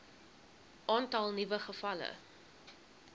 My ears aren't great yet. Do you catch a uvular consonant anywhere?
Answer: yes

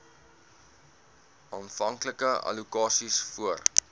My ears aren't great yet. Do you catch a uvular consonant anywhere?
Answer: no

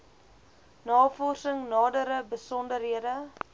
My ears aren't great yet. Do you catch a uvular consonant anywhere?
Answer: no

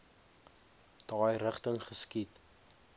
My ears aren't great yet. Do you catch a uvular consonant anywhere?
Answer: yes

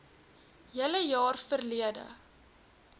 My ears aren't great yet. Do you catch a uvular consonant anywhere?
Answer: no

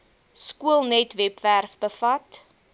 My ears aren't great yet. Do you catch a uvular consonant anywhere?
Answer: no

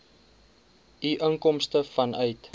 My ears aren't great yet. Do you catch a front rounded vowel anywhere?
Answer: yes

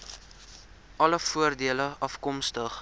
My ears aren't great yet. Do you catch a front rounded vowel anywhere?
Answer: no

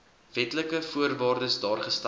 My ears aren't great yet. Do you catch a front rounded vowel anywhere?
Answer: no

